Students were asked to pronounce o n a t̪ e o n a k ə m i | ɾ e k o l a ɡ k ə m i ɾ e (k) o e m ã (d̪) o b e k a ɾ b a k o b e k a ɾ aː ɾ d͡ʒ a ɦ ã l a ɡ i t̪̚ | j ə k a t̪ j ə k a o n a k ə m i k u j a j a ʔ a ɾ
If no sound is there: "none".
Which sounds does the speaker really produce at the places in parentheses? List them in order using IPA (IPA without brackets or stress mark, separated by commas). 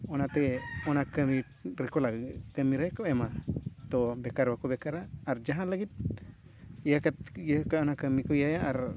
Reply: k, t̪